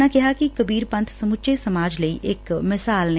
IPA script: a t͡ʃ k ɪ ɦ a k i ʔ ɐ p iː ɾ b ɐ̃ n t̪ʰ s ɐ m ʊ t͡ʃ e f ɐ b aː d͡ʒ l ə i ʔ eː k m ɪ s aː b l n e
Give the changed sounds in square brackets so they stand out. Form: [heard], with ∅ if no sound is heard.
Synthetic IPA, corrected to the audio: a [∅] k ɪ ɦ a k i [k] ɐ [b] iː ɾ [p] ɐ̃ n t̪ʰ s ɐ m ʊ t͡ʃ e [s] ɐ [m] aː d͡ʒ l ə i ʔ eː k m ɪ s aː [∅] l n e

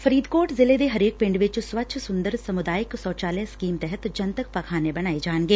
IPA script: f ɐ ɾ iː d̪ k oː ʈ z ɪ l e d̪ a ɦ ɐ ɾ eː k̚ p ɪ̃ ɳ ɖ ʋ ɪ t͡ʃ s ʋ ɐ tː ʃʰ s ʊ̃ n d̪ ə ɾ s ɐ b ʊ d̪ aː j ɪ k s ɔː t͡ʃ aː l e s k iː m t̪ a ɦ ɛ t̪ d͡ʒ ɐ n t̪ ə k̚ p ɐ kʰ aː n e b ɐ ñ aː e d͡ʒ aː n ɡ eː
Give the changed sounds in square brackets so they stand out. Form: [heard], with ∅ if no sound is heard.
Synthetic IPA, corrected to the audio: f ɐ ɾ iː d̪ k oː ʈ z ɪ l e d̪ [e] ɦ ɐ ɾ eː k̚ p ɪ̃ ɳ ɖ ʋ ɪ t͡ʃ s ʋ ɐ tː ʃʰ s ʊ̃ n d̪ ə ɾ s ɐ [m] ʊ d̪ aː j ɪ k s ɔː t͡ʃ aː l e s k iː m t̪ [ɛ] ɦ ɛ t̪ d͡ʒ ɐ n t̪ ə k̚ p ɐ kʰ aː n e b ɐ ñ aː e d͡ʒ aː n ɡ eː

